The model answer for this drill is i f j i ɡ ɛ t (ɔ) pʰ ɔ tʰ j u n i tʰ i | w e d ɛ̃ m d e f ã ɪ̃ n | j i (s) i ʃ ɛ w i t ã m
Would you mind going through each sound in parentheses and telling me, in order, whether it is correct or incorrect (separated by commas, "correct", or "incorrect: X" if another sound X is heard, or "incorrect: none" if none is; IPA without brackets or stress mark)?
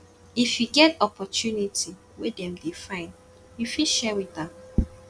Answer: correct, incorrect: f